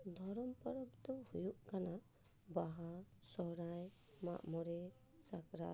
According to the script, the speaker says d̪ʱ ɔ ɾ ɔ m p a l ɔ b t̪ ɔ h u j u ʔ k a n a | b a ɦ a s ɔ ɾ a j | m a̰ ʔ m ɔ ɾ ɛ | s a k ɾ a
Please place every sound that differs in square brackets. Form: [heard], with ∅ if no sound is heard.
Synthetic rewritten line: d̪ʱ ɔ ɾ ɔ m p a [ɾ] ɔ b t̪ ɔ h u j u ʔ k a n a | b a ɦ a s ɔ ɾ a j | m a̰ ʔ m ɔ ɾ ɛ | s a k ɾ a